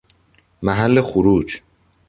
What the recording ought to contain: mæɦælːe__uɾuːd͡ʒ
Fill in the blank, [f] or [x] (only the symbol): x